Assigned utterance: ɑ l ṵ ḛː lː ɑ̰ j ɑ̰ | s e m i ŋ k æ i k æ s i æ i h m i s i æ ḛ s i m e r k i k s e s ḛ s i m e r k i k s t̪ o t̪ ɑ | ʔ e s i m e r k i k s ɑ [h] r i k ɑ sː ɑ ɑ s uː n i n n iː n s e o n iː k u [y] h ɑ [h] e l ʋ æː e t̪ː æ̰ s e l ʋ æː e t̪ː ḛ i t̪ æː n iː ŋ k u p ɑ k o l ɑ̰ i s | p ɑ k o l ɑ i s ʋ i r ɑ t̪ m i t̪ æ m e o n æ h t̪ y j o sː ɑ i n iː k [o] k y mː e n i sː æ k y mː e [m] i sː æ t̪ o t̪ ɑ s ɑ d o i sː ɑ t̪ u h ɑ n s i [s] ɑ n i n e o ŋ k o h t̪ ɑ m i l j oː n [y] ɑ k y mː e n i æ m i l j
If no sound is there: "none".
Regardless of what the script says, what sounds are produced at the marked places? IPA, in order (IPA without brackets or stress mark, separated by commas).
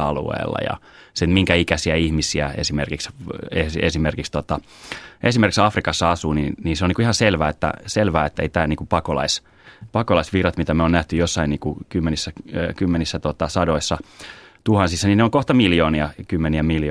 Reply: f, i, s, u, n, sː, i